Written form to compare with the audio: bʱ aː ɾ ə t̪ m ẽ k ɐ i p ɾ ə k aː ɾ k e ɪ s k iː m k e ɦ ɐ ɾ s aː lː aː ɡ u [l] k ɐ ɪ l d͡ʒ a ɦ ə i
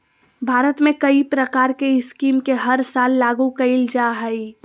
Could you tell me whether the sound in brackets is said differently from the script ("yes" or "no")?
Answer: yes